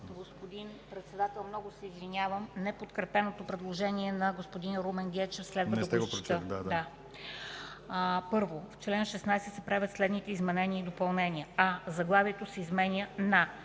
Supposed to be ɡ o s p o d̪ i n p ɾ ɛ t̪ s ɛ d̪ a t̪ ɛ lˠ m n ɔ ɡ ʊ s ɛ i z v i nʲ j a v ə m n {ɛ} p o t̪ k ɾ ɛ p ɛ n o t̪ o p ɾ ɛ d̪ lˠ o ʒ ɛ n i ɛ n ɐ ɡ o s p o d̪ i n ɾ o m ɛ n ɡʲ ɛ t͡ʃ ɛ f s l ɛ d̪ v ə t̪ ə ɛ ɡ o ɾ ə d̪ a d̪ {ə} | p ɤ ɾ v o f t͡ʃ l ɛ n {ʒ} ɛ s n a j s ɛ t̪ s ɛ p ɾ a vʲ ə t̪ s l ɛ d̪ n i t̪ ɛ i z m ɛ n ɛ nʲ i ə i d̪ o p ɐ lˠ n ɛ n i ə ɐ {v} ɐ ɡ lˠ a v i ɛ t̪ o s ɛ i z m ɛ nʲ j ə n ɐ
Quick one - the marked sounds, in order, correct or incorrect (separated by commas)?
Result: correct, incorrect, incorrect, incorrect